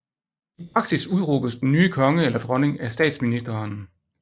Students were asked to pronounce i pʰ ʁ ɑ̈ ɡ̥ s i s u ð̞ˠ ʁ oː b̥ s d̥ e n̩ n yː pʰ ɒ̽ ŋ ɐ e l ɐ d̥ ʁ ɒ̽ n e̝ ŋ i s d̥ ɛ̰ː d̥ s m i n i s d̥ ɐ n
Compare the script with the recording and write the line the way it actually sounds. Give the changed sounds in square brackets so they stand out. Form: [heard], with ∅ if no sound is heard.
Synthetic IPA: i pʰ ʁ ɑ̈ ɡ̥ s i s u ð̞ˠ ʁ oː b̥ s d̥ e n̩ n yː [kʰ] ɒ̽ ŋ [ə] e l ɐ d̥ ʁ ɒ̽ n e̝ ŋ [æ] s d̥ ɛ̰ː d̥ s m i n i s d̥ ɐ n